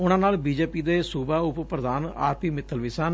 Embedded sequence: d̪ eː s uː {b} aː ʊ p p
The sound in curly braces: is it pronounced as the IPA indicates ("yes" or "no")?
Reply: yes